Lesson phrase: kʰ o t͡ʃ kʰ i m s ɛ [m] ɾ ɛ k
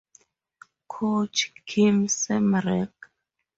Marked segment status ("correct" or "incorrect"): correct